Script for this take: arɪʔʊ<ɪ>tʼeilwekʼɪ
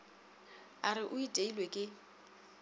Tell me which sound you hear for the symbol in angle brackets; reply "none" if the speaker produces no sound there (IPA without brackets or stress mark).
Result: i